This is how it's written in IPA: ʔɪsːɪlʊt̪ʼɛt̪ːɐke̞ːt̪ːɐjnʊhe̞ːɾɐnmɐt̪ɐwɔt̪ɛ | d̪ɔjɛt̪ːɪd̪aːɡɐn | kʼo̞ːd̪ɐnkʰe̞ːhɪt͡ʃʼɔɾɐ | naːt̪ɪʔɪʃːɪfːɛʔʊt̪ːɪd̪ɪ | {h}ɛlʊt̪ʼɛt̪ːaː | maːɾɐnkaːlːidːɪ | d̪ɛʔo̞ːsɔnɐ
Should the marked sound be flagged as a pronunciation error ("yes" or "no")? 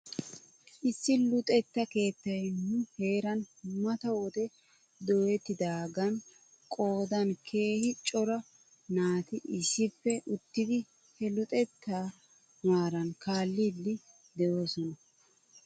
no